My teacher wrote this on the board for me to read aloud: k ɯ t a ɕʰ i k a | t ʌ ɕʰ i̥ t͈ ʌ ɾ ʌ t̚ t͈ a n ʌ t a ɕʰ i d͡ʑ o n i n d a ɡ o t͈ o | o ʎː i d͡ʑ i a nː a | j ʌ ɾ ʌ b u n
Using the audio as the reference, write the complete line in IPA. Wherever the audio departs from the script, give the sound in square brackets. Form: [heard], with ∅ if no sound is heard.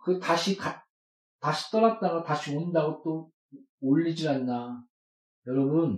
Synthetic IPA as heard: k ɯ t a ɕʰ i k a | t [a] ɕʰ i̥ t͈ ʌ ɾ [a] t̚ t͈ a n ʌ t a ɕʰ i [∅] o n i n d a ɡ o t͈ o | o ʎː i d͡ʑ i a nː a | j ʌ ɾ ʌ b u n